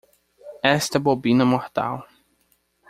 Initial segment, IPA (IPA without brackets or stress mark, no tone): ɛ